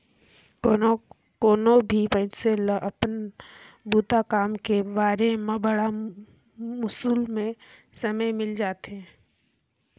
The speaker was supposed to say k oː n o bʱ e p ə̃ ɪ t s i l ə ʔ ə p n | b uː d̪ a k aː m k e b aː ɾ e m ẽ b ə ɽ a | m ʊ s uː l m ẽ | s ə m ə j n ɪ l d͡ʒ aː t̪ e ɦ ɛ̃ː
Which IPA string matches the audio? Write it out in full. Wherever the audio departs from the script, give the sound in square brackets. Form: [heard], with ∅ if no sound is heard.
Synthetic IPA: k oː n o bʱ [i] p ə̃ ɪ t s [e] l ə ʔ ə p n | b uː [t̪] a k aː m k e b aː ɾ e m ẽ b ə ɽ a | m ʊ s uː l m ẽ | s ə m ə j [m] ɪ l d͡ʒ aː t̪ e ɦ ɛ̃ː